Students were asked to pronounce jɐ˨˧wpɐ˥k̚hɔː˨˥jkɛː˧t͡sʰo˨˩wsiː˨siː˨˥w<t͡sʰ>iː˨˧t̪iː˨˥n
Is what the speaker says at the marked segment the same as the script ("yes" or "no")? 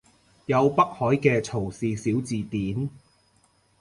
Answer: no